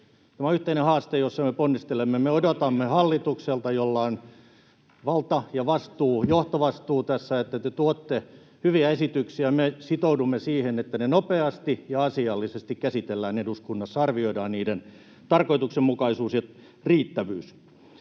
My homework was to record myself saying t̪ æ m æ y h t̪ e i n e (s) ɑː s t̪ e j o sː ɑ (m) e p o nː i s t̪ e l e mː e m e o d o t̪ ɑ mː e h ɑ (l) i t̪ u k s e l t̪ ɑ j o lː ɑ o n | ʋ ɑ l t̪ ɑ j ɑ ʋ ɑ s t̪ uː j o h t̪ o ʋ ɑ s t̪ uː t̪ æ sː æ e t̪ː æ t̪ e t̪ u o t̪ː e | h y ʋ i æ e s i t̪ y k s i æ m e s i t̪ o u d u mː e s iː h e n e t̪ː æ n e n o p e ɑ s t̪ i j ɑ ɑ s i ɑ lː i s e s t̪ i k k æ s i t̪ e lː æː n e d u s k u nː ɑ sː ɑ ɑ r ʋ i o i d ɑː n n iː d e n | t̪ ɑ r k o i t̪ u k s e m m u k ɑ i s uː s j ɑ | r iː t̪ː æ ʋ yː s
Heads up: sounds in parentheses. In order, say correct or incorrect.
incorrect, correct, incorrect

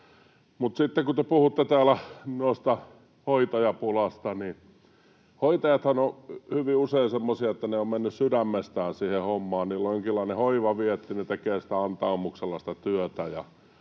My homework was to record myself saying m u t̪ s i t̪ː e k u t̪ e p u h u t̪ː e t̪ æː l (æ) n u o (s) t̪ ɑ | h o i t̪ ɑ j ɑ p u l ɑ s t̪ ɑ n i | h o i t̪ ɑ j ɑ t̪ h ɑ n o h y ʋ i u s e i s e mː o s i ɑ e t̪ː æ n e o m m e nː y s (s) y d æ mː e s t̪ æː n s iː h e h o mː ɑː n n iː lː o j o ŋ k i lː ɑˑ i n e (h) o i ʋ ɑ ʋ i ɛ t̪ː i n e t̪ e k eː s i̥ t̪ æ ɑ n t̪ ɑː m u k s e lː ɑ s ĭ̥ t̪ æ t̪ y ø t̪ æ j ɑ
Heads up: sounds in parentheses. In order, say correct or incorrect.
correct, correct, correct, correct

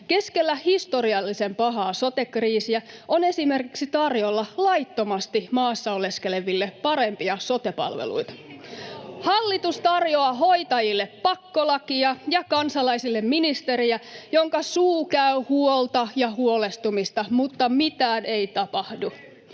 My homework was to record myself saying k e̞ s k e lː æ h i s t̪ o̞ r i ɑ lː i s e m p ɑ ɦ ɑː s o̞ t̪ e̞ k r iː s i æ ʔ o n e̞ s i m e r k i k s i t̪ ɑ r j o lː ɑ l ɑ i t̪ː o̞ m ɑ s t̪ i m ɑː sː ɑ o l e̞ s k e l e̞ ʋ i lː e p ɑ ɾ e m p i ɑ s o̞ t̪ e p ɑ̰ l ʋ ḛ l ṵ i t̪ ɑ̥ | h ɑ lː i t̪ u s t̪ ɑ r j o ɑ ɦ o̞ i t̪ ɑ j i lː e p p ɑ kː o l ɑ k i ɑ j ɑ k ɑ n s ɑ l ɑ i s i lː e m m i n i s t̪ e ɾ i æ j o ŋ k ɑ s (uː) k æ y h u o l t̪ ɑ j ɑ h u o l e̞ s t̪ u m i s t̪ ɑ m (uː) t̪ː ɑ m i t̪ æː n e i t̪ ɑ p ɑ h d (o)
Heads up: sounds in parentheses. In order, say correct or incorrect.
correct, incorrect, incorrect

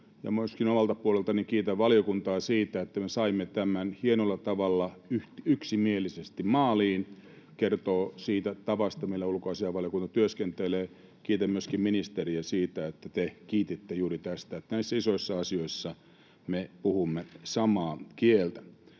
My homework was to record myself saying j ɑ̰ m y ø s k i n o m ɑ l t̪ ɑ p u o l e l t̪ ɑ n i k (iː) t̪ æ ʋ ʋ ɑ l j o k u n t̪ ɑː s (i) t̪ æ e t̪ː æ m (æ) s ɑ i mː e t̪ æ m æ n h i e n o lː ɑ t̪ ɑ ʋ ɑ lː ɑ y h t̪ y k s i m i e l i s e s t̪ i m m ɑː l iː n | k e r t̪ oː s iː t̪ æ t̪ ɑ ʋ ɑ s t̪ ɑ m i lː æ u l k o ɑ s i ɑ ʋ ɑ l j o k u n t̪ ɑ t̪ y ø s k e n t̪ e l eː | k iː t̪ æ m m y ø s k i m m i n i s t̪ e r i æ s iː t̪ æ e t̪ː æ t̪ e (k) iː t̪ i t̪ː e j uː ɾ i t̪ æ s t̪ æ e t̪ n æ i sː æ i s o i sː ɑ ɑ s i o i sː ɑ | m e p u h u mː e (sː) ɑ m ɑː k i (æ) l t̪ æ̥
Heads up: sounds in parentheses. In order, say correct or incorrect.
correct, incorrect, incorrect, correct, incorrect, incorrect

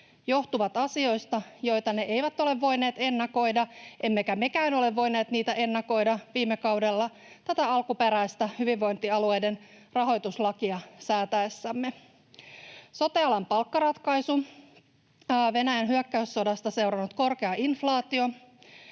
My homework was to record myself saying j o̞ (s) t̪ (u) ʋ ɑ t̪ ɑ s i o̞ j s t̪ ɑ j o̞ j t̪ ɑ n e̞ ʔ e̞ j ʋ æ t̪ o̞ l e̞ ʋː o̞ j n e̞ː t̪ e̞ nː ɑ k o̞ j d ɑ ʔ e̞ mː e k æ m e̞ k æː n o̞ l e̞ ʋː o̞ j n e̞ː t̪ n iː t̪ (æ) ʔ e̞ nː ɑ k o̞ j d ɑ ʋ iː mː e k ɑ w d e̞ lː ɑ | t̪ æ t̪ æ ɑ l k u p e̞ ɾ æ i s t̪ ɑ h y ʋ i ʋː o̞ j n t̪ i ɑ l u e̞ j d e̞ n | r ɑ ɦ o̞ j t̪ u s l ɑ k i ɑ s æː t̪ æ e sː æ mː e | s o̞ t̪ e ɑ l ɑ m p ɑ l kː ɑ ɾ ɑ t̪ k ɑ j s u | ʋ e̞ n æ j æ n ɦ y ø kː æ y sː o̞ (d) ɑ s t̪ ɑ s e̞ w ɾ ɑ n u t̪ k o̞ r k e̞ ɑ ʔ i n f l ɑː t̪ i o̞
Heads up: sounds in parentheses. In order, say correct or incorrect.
incorrect, correct, correct, correct

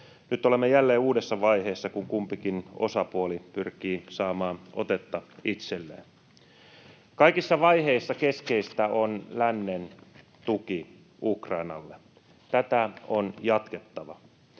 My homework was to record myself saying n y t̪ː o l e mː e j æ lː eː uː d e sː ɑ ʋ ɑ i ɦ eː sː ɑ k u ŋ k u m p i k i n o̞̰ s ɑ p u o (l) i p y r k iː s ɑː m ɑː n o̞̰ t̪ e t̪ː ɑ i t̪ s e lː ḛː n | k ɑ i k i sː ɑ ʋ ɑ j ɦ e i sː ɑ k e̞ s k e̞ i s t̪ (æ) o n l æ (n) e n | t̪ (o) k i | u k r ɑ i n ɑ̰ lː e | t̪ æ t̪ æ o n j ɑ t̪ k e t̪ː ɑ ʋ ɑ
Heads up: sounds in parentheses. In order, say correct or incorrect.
correct, correct, incorrect, incorrect

